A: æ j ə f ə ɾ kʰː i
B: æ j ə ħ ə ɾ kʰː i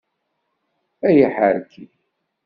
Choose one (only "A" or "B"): B